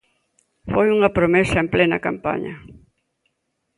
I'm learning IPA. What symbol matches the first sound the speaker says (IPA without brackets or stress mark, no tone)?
f